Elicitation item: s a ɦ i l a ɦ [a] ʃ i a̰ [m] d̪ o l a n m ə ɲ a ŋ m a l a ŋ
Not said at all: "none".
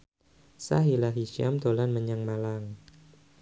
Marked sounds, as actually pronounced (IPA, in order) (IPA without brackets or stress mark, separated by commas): i, m